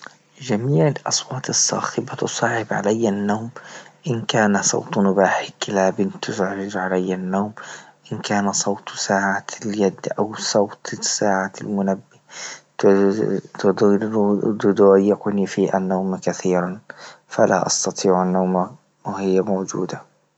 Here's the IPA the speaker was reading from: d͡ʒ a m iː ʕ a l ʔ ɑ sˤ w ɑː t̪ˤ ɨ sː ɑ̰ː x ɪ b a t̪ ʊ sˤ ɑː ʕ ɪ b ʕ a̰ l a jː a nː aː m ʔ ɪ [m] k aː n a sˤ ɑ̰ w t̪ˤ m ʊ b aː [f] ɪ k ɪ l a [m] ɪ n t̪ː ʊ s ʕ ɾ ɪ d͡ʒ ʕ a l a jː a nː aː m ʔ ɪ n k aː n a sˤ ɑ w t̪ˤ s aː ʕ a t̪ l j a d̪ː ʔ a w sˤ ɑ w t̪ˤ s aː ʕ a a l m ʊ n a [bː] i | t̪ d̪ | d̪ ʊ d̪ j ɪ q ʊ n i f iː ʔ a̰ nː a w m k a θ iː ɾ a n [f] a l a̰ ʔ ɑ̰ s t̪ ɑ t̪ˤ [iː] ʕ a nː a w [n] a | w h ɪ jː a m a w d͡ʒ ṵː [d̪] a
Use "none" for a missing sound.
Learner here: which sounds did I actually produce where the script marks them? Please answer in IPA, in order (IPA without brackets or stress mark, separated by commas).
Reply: n, ħ, b, bː, f, iː, m, d̪